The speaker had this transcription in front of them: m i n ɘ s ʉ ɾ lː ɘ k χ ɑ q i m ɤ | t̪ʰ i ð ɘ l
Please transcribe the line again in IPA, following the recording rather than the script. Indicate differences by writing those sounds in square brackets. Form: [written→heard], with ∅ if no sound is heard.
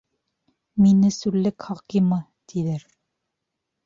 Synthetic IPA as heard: m i n ɘ s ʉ ɾ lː ɘ k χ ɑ q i m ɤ | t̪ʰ i ð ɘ [l→ɾ]